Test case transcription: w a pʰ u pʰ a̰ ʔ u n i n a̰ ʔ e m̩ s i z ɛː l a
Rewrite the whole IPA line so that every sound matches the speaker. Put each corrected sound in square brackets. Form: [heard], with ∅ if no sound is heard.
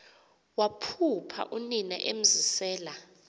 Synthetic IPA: w a pʰ u pʰ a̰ ʔ u n i n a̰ ʔ e m̩ [z] i [s] ɛː l a

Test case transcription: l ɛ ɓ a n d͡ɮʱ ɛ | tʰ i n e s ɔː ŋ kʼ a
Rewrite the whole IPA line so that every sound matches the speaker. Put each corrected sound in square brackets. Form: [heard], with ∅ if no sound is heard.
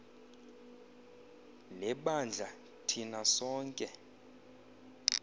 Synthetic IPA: l ɛ ɓ a n d͡ɮʱ [a] | tʰ i n [a] s ɔː ŋ kʼ [ɛ]

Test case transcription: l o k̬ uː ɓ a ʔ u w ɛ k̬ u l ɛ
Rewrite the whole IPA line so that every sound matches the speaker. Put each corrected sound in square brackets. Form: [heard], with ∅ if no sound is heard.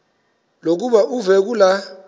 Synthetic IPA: l o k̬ [u] ɓ a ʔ u [v] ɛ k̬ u l [a]

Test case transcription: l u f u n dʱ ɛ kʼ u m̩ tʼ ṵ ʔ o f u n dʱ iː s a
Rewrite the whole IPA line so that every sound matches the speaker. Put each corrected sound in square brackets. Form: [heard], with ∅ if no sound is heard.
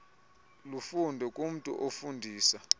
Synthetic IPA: l u f u n dʱ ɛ kʼ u m̩ tʼ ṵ ʔ o f u n dʱ iː s a

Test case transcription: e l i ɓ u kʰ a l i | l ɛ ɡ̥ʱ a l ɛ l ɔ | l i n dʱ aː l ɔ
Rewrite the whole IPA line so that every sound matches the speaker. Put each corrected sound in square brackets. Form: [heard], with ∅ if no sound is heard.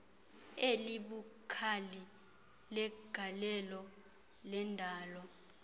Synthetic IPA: e l i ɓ u kʰ a l i | l ɛ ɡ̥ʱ a l ɛ l ɔ | l [ɛ] n dʱ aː l ɔ

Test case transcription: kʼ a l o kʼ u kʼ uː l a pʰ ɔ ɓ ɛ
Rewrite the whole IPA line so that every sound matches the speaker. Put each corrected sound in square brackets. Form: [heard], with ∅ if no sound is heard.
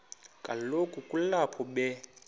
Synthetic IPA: kʼ a l o kʼ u kʼ [u] l a pʰ ɔ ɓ ɛ

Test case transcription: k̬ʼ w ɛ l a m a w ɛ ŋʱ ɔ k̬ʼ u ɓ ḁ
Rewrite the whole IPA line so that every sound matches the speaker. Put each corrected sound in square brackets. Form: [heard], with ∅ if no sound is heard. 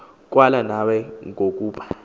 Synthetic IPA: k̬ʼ w [a] l a [n] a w ɛ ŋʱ [o] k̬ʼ [uː] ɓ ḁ

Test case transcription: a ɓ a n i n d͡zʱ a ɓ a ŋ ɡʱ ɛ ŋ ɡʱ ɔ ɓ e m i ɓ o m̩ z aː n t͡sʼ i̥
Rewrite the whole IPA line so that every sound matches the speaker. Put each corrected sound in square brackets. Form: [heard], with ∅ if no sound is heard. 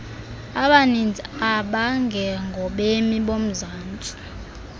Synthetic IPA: a ɓ a n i n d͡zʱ a ɓ a ŋ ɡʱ ɛ ŋ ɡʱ ɔ ɓ e m i ɓ o m̩ z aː n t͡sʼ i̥

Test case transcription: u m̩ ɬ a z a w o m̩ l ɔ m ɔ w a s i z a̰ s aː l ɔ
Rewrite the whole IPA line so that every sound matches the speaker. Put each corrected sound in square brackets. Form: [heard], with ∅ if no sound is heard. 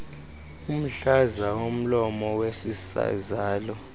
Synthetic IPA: u m̩ ɬ a z a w o m̩ l ɔ m ɔ w [e] s i [s] a̰ [z] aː l ɔ

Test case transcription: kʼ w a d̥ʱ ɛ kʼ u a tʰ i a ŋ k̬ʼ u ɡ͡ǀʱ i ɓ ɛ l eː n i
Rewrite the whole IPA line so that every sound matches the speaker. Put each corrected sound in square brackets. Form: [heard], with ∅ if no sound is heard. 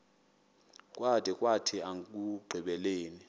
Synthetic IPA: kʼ w a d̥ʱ ɛ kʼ [w] a tʰ i a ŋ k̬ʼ u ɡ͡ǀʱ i ɓ ɛ l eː n i

